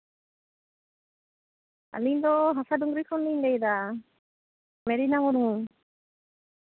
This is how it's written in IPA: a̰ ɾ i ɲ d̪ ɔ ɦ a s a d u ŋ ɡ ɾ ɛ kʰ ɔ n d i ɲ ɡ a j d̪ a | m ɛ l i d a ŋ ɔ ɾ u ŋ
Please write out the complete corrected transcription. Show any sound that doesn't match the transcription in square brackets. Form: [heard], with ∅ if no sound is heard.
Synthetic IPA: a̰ [l] i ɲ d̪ ɔ ɦ a s a d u ŋ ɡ ɾ [i] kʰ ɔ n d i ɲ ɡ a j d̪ a | m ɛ [ɾ] i [n] a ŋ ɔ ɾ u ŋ